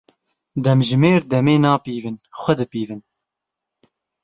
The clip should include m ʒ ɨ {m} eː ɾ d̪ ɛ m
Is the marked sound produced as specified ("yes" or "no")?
yes